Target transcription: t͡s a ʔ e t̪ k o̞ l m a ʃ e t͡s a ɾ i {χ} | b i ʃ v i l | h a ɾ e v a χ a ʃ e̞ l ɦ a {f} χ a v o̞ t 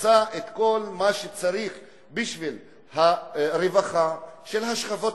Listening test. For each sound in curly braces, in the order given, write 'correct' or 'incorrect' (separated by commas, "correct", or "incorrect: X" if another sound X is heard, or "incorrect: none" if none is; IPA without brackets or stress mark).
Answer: correct, incorrect: ʃ